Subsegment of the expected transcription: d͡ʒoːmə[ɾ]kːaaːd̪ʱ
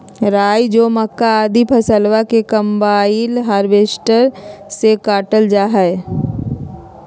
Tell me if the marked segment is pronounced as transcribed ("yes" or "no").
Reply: no